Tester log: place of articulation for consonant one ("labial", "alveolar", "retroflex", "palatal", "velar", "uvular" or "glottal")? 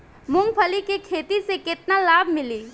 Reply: labial